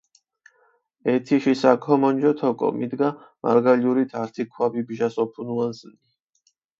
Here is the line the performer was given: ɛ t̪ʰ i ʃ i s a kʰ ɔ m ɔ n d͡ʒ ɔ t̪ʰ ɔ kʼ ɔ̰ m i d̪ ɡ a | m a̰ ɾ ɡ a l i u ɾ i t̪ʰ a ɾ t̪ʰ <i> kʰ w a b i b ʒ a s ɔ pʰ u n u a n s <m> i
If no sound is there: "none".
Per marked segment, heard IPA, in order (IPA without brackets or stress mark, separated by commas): i, n